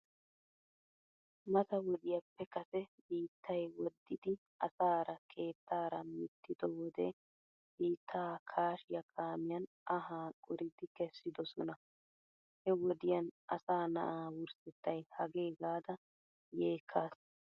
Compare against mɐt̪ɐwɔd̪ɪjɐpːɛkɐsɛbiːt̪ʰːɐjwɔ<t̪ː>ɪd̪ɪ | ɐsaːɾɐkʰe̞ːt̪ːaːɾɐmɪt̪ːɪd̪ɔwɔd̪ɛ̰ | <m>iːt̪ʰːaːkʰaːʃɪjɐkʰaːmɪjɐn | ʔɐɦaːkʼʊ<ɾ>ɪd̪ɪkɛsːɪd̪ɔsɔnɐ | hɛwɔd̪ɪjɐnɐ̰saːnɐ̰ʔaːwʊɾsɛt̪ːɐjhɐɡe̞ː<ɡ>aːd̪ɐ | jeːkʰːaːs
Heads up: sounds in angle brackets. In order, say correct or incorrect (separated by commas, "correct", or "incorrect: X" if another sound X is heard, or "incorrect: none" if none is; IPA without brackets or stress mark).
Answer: incorrect: d̪ː, incorrect: b, correct, correct